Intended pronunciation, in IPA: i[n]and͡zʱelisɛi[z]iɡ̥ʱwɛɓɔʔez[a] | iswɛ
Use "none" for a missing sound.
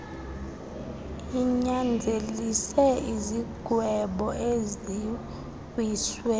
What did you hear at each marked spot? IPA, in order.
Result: ɲ, z, i

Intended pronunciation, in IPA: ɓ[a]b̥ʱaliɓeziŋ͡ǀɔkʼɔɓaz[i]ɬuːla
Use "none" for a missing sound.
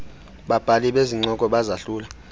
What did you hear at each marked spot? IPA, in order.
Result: a, a

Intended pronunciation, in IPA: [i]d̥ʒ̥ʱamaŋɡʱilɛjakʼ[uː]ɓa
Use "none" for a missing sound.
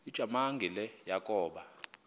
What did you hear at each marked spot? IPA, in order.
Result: i, ɔː

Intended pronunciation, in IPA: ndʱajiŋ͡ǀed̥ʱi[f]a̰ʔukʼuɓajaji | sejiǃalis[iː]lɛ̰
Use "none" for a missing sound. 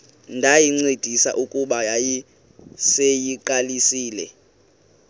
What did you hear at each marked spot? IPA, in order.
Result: s, iː

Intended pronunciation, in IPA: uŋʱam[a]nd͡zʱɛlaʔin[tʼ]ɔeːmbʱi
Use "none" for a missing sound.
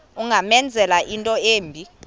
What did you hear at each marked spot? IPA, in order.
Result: ɛ, tʼ

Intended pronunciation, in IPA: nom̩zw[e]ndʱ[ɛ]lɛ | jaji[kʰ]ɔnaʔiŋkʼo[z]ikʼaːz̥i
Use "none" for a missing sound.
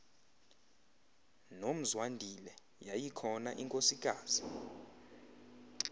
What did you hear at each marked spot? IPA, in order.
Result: a, i, kʰ, s

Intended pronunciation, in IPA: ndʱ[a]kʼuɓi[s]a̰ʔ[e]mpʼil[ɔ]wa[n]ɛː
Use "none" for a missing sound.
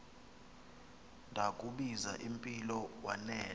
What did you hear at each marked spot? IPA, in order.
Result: a, z, i, ɔ, n

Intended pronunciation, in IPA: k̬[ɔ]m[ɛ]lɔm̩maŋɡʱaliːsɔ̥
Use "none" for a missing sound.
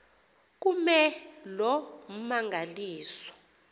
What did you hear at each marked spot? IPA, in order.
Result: u, ɛ

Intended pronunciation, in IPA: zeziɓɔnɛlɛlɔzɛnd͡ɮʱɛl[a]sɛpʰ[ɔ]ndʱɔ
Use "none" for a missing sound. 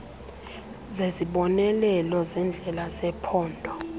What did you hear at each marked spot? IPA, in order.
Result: a, ɔː

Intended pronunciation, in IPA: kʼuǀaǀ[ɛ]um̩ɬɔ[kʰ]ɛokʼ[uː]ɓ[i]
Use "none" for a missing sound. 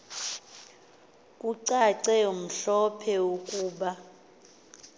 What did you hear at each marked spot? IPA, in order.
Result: ɛ, pʰ, uː, a

